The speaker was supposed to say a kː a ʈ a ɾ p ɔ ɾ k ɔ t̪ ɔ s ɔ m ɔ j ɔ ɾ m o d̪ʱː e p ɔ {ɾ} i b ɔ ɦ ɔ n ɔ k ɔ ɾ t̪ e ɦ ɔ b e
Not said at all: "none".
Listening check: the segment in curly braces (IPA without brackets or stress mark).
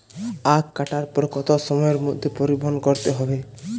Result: ɾ